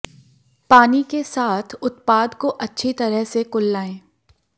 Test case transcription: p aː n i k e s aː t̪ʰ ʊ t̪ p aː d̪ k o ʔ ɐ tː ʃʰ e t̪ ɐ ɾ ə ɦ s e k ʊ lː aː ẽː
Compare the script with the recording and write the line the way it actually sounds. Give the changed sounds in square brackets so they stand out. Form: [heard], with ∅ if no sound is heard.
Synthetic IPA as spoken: p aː n i k e s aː t̪ʰ ʊ t̪ p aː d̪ k o ʔ ɐ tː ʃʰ [i] t̪ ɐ ɾ ə ɦ s e k ʊ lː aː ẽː